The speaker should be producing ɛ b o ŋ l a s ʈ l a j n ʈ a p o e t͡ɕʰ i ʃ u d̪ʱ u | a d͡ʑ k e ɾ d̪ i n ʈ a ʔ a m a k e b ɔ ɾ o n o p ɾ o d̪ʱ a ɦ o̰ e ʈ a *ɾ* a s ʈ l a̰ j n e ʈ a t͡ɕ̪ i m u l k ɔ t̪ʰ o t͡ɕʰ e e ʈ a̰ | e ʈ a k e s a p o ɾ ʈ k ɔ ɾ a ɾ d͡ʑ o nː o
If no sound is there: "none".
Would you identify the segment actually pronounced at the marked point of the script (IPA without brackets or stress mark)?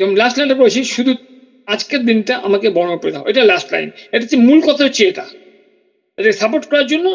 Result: l